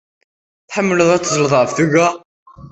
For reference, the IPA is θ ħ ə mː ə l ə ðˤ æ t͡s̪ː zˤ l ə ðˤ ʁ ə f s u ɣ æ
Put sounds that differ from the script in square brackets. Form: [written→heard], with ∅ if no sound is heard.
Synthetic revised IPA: θ ħ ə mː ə l ə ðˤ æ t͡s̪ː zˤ l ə ðˤ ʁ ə f [s→θ] u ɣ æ